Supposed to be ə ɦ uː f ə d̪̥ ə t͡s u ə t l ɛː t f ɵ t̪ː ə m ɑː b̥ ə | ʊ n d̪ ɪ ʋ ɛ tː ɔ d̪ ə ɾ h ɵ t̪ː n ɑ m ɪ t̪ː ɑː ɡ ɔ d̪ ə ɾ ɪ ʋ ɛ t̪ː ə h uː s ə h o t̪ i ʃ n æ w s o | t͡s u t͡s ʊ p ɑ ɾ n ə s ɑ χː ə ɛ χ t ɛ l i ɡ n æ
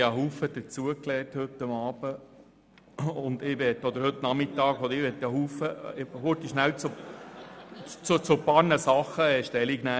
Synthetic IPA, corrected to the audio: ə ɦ uː f ə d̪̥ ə t͡s u ə k l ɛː t h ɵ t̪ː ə m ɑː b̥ ə | ʊ n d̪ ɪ ʋ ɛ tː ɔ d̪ ə ɾ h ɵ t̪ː n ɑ m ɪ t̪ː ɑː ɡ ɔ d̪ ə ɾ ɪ ʋ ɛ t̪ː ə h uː f ə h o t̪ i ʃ n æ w t͡s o | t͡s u t͡s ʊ p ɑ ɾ n ə s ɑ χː ə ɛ ʃ t ɛ l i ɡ n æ